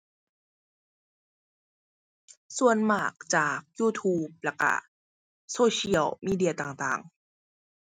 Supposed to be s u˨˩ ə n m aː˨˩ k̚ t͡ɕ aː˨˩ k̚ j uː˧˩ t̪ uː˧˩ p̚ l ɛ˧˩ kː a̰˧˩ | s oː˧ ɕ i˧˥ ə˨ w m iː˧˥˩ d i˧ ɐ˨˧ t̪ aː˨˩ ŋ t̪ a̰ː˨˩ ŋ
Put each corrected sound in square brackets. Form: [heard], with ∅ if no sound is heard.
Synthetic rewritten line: s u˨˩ ə n m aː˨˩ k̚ t͡ɕ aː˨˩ k̚ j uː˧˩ [t̪ʰ] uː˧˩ p̚ l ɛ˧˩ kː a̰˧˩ | s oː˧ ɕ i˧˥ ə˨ w m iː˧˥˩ d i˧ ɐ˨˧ t̪ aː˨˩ ŋ t̪ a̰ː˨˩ ŋ